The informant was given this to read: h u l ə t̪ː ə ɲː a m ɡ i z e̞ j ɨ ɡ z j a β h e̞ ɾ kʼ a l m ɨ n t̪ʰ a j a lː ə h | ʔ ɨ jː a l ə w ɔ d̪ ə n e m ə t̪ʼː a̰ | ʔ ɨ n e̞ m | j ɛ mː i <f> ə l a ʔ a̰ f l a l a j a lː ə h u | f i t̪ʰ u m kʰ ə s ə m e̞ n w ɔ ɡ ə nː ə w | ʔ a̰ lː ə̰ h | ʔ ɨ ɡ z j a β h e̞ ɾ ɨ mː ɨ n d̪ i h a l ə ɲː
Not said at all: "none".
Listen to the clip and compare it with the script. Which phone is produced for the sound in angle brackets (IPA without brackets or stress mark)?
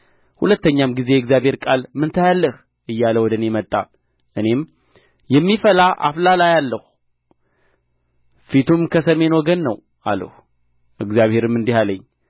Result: f